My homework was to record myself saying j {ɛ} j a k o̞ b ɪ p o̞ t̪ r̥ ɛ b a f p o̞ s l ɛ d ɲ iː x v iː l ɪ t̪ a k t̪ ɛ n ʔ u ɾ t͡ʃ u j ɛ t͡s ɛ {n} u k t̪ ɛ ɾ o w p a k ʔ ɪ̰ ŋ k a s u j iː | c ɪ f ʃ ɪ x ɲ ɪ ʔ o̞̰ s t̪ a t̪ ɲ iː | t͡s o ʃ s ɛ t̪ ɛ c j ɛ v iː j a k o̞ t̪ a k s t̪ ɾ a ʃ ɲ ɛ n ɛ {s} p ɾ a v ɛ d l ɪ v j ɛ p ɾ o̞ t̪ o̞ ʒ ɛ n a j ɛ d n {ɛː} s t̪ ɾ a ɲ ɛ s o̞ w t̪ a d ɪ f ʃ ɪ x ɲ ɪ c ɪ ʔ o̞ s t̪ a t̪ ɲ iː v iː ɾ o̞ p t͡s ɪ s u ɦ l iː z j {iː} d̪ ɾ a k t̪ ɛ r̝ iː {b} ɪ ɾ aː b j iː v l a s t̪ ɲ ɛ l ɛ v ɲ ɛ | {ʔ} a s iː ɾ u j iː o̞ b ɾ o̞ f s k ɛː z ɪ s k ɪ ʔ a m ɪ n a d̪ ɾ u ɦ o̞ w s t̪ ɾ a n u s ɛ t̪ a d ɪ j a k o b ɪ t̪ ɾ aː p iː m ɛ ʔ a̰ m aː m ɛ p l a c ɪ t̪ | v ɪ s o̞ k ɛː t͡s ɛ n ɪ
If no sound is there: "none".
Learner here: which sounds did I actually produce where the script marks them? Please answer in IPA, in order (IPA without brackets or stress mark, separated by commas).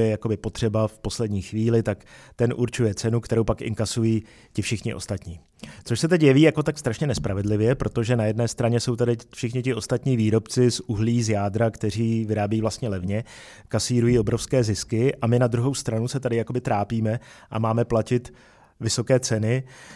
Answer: ɛ, n, s, ɛː, aː, v, k